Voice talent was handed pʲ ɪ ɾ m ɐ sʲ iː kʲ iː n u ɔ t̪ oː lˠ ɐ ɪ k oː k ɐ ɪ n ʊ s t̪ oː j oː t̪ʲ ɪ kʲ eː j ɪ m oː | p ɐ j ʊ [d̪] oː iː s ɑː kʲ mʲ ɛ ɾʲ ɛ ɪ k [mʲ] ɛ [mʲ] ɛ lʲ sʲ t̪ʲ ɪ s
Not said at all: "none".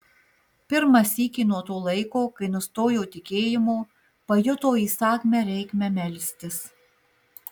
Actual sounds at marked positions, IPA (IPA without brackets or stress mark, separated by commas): t̪, mʲ, mʲ